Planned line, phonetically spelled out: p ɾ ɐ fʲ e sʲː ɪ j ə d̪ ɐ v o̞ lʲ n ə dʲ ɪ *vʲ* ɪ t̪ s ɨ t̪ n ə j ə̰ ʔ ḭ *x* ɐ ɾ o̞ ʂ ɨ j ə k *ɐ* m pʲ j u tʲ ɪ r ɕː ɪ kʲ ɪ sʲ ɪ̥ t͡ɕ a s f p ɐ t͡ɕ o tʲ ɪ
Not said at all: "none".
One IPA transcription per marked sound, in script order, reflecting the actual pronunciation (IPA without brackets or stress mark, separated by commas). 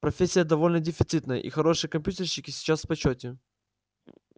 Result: fʲ, x, ɐ